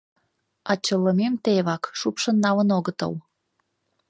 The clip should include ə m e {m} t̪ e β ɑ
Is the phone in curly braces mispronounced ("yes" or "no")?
no